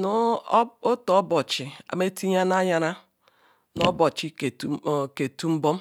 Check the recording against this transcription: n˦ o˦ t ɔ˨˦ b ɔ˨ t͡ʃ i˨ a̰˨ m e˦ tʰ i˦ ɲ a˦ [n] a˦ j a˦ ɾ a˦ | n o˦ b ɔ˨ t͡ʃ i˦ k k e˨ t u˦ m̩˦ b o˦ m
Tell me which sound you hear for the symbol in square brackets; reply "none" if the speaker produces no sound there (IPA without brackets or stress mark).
n